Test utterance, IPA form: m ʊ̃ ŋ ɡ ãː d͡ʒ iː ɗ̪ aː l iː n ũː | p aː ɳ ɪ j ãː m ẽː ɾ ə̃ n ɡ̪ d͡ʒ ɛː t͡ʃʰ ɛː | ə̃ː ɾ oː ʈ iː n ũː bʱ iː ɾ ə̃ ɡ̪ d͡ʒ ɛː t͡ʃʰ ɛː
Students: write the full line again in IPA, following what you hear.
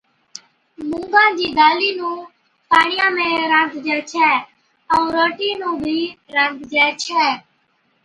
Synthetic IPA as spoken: m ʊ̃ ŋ ɡ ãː d͡ʒ iː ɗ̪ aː l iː n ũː | p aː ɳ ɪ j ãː m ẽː ɾ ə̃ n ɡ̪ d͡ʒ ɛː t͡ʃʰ ɛː | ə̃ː ɾ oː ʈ iː n ũː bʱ iː ɾ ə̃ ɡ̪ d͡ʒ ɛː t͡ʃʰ ɛː